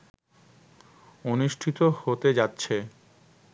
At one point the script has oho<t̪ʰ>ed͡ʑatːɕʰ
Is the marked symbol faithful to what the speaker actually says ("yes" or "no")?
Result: no